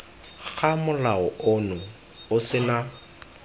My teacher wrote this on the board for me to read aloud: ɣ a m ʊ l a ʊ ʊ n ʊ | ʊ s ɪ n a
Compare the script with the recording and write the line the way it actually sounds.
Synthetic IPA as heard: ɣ a m ʊ l a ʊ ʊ n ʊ | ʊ s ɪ n a